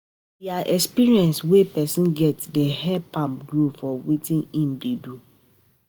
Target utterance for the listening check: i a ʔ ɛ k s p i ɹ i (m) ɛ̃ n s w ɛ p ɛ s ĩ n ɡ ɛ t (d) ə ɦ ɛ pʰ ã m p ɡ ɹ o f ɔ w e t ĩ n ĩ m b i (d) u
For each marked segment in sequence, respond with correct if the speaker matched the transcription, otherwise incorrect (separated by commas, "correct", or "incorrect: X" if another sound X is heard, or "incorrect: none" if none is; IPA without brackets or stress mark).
incorrect: none, correct, correct